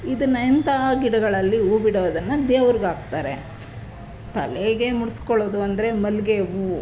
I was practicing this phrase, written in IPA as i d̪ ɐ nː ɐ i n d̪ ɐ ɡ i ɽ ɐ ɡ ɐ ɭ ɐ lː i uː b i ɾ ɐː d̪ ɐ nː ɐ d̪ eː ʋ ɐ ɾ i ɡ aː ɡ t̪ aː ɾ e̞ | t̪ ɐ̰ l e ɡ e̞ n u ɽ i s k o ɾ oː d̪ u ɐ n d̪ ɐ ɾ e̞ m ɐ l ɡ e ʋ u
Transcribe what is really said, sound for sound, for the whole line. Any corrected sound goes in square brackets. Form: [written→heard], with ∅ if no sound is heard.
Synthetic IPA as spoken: i d̪ ɐ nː ɐ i n [d̪→t̪] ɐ ɡ i ɽ ɐ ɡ ɐ ɭ ɐ lː i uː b i [ɾ→ɽ] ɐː d̪ ɐ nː ɐ d̪ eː ʋ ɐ ɾ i ɡ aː ɡ t̪ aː ɾ e̞ | t̪ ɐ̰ l e ɡ e̞ [n→m] u ɽ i s k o [ɾ→ɭ] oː d̪ u ɐ n d̪ ɐ ɾ e̞ m ɐ l ɡ e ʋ u